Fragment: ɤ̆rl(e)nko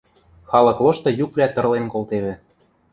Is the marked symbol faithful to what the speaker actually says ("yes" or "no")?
yes